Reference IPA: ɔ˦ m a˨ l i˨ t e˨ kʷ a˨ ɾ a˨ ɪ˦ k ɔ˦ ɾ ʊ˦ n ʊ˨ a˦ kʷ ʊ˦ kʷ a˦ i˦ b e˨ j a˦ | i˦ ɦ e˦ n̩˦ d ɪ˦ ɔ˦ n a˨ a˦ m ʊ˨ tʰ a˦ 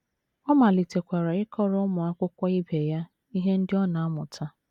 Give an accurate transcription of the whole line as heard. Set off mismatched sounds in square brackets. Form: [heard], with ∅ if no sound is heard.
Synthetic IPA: ɔ˦ m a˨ l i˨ t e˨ kʷ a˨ ɾ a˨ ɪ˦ k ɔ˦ ɾ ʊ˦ [m] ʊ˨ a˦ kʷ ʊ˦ kʷ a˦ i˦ b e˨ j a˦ | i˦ ɦ e˦ n̩˦ d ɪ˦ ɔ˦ n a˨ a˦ m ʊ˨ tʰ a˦